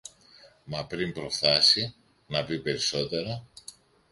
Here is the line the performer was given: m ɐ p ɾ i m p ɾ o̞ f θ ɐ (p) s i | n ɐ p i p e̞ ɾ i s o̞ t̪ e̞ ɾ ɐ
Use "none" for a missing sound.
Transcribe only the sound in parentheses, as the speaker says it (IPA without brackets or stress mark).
none